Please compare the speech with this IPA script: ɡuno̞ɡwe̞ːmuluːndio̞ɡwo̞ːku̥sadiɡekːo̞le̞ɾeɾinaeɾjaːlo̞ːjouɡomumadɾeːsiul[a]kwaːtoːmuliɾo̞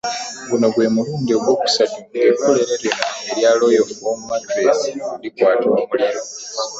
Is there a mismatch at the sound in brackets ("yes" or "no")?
yes